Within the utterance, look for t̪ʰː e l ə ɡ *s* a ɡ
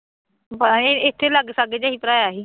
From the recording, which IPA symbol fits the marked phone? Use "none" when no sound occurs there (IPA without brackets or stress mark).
s